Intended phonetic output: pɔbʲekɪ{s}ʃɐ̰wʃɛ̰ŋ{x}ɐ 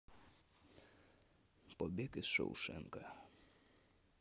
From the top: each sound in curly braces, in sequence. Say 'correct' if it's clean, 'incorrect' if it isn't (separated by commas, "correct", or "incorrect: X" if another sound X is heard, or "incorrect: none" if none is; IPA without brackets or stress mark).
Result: correct, incorrect: k